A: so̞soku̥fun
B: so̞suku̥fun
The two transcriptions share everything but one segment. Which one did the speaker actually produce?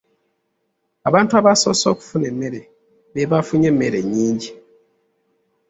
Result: A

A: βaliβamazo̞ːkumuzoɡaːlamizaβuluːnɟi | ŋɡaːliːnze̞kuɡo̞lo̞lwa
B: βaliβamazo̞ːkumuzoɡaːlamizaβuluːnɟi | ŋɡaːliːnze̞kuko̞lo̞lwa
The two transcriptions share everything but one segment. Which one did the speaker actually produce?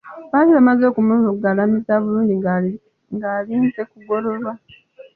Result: A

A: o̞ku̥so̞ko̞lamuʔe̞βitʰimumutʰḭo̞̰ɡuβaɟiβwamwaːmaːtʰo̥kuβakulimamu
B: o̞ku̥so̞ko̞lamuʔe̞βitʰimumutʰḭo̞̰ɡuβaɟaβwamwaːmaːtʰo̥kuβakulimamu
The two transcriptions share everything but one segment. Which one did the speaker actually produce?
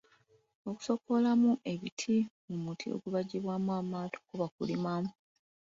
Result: A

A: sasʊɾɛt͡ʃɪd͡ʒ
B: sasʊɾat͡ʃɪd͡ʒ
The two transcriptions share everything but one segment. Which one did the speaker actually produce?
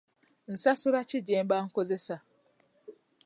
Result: B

